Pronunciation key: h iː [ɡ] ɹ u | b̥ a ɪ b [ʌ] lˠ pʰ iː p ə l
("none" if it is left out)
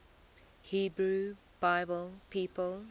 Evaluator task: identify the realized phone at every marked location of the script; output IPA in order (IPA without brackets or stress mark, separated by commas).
b, ə